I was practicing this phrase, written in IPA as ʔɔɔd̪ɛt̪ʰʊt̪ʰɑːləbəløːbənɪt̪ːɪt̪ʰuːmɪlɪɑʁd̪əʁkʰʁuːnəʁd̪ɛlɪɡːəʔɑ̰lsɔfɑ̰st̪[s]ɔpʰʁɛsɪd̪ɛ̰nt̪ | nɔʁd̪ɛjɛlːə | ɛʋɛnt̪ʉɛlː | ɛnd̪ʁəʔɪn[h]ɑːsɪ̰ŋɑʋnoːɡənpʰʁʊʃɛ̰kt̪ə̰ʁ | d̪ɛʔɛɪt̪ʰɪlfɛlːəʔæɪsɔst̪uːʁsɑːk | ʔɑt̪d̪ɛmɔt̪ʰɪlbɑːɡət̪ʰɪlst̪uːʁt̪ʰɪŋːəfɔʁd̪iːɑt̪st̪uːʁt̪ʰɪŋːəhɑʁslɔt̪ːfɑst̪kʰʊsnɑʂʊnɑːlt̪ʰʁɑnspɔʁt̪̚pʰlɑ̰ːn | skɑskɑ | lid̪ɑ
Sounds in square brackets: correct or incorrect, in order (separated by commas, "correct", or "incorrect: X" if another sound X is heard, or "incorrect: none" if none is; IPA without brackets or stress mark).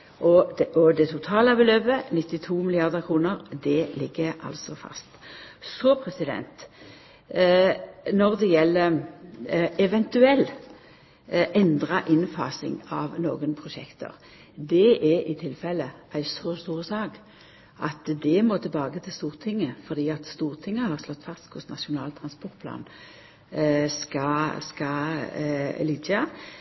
correct, incorrect: f